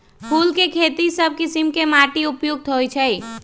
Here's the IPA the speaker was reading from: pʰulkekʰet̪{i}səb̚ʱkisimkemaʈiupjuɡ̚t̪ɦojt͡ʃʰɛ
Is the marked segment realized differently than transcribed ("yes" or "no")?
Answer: no